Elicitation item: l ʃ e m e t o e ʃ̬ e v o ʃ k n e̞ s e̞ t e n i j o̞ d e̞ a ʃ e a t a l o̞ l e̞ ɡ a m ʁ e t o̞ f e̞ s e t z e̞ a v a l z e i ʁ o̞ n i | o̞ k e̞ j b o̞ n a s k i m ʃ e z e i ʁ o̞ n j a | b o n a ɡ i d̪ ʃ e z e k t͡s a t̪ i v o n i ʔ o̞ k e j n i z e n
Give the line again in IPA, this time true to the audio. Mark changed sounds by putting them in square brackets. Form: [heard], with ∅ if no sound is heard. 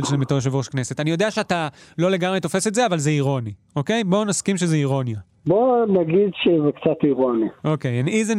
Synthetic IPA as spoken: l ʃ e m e t o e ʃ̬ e v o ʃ k n e̞ s e̞ t [a] n i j o̞ d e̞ a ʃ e a t a l o̞ l e̞ ɡ a m ʁ e t o̞ f e̞ s e t z e̞ a v a l z e i ʁ o̞ n i | o̞ k e̞ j b o̞ n a s k i m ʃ e z e i ʁ o̞ n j a | b o n a ɡ i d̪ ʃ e z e k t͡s a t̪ i [ʁ] o n i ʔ o̞ k e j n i z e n